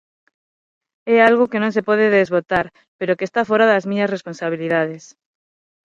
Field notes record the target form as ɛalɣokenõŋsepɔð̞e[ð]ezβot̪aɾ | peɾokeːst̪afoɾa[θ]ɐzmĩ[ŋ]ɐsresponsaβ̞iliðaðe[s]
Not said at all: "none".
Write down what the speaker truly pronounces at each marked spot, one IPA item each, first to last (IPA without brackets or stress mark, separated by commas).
ð, ð, ɲ, s